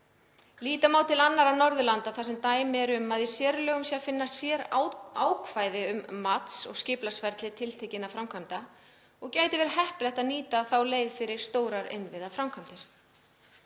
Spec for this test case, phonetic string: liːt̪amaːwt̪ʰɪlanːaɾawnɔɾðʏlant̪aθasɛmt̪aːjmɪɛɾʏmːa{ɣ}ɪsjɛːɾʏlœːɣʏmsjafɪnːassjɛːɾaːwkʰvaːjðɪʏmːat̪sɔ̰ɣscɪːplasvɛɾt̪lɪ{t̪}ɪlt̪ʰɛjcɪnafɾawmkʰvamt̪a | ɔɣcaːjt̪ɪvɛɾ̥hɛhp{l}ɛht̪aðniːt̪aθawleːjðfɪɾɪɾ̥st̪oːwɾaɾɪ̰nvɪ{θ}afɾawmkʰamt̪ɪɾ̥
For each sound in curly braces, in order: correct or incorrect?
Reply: incorrect: ð, incorrect: t̪ʰ, correct, incorrect: ð

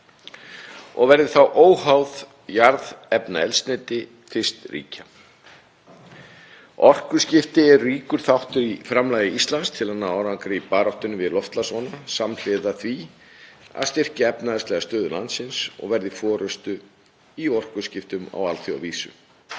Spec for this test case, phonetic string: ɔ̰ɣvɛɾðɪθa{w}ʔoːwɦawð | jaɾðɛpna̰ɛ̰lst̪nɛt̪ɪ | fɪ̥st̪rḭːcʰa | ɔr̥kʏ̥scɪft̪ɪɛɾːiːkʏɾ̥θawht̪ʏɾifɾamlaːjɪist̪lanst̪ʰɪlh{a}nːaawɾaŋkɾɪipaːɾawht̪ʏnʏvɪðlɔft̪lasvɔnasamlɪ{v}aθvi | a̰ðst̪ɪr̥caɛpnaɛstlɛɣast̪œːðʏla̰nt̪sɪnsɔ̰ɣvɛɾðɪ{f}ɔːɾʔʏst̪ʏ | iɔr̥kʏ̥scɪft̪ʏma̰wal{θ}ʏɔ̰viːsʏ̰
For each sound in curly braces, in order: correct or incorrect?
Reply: correct, correct, incorrect: ð, correct, correct

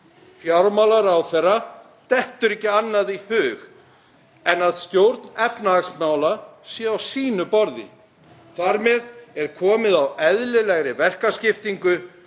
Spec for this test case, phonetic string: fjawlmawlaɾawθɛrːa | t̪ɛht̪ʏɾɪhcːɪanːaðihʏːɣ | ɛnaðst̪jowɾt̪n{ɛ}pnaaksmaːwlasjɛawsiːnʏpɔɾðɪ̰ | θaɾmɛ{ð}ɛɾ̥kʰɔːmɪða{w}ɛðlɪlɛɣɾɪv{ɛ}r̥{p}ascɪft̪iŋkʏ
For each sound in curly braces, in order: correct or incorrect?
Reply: correct, correct, correct, correct, incorrect: k

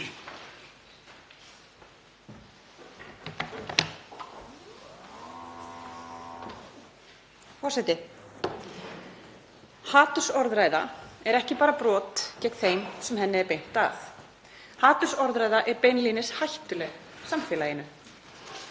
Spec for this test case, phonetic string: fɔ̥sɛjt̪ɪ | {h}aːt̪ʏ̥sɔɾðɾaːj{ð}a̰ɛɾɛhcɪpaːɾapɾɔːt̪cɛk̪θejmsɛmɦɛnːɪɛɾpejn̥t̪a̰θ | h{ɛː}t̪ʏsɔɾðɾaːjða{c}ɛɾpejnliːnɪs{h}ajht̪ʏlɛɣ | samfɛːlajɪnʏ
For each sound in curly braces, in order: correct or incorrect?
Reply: correct, correct, incorrect: aː, incorrect: ʔ, correct

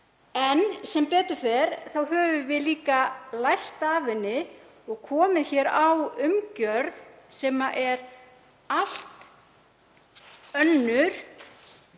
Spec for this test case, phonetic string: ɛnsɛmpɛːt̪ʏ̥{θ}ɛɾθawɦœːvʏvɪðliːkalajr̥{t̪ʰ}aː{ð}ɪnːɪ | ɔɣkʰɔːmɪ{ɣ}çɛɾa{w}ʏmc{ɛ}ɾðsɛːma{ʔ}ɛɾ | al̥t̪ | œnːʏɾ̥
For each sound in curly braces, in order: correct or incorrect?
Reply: incorrect: f, incorrect: t̪, incorrect: v, incorrect: ð, correct, incorrect: œ, correct

